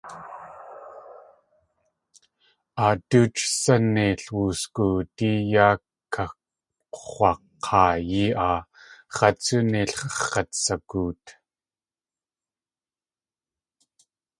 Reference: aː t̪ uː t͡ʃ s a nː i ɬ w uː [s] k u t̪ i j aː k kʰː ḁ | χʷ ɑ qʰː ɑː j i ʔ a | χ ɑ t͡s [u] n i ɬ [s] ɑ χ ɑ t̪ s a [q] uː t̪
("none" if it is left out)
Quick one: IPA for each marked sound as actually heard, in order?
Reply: s, u, χ, k

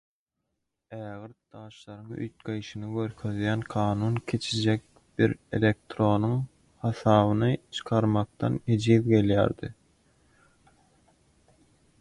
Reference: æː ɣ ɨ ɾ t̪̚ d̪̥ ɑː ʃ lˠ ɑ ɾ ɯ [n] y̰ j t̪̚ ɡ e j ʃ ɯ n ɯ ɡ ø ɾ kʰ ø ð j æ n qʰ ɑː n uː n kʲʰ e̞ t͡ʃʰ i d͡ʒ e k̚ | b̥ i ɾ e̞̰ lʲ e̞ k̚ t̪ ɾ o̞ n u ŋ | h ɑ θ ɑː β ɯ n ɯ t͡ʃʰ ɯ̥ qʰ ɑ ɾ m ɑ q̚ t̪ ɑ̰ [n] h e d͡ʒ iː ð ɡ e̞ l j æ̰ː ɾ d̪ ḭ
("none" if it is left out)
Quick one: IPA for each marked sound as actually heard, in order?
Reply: ŋ, n

